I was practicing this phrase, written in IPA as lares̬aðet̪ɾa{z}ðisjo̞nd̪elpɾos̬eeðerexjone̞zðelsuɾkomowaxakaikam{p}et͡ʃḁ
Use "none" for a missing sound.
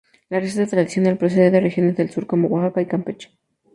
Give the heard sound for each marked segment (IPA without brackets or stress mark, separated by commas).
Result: none, p